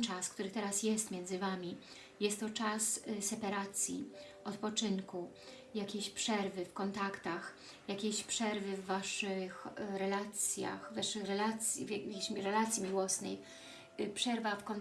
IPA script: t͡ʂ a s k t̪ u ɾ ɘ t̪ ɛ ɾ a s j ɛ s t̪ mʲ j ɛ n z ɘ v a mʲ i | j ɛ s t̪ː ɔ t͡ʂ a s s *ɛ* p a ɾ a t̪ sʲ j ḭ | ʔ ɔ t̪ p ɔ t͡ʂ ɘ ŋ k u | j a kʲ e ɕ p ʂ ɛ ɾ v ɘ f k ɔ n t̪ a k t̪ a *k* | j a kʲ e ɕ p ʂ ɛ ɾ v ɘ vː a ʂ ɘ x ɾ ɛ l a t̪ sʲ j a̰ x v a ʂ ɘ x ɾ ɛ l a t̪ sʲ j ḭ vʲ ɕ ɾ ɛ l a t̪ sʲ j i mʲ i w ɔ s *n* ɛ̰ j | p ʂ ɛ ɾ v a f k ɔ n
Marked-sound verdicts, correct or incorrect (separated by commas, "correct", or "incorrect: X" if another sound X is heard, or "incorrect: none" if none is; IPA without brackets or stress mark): correct, incorrect: x, correct